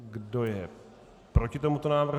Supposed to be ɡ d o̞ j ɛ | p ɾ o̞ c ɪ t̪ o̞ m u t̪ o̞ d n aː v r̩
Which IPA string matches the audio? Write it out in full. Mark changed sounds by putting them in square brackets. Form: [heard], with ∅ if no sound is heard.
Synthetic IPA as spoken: ɡ d o̞ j ɛ | p ɾ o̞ c ɪ t̪ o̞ m u t̪ o̞ [∅] n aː v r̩